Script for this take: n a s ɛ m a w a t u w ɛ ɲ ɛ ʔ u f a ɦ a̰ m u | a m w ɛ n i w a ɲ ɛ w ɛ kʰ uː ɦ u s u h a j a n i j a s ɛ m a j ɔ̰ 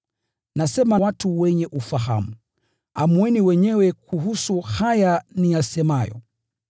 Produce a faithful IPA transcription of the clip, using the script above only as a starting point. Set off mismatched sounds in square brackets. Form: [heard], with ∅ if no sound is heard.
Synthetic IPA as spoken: n a s ɛ m a w a t u w ɛ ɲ ɛ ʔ u f a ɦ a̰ m u | a m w ɛ n i w [ɛ] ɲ ɛ w ɛ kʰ [u] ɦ u s u h a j a n i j a s ɛ m a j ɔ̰